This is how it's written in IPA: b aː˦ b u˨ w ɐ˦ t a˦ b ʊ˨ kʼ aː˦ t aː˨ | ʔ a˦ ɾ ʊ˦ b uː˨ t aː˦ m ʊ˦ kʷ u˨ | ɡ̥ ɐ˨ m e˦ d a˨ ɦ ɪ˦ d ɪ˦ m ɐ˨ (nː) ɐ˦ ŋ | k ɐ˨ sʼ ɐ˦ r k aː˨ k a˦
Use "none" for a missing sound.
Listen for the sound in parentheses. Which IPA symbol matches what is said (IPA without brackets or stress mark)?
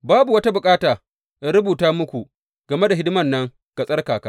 nː